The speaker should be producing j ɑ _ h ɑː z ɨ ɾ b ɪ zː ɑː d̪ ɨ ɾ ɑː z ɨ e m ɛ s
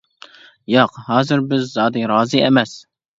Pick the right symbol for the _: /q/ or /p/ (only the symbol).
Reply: q